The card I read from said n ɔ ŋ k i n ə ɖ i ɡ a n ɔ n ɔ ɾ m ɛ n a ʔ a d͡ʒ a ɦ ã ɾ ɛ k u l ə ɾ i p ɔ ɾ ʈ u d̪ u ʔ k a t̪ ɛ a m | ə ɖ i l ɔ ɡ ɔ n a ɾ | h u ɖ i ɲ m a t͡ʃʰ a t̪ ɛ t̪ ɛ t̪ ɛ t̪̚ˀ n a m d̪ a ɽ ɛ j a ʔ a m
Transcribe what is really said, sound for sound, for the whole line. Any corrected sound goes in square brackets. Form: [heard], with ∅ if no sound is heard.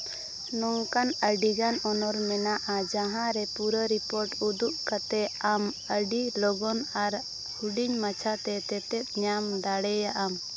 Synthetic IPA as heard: n ɔ ŋ k [a] n ə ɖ i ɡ a n ɔ n ɔ ɾ m ɛ n a ʔ a d͡ʒ a ɦ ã ɾ ɛ [p] u [ɾ] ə ɾ i p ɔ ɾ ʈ u d̪ u ʔ k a t̪ ɛ a m | ə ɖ i l ɔ ɡ ɔ n a ɾ | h u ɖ i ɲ m a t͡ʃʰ a t̪ ɛ t̪ ɛ t̪ ɛ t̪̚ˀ [ɲ] a m d̪ a ɽ ɛ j a ʔ a m